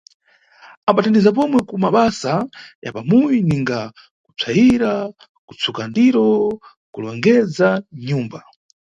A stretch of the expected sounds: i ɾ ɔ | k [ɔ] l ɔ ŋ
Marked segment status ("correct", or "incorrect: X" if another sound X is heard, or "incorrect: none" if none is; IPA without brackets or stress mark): incorrect: u